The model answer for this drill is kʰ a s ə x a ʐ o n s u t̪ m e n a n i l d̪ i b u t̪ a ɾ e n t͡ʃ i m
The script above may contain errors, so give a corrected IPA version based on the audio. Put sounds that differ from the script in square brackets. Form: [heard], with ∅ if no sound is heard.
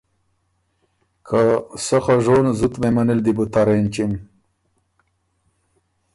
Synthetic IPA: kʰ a s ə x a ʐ o n [z] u t̪ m e [m] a n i l d̪ i b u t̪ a ɾ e n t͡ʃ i m